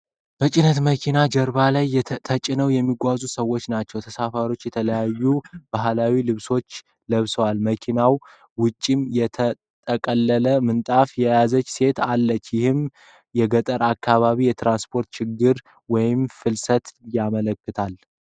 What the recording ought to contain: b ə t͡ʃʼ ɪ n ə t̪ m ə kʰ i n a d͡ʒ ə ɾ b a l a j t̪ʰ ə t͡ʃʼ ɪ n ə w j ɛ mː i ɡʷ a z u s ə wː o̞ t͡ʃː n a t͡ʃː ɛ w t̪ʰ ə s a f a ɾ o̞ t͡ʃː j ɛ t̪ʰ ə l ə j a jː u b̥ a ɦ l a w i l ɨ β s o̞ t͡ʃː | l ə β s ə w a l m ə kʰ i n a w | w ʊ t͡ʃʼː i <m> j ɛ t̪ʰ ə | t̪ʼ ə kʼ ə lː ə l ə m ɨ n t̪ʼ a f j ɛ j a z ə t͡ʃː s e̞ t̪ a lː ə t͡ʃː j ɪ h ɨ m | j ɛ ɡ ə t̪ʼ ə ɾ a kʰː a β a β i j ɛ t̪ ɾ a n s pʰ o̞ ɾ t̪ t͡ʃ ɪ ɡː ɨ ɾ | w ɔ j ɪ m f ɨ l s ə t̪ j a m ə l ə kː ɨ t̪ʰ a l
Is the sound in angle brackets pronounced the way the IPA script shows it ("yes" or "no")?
yes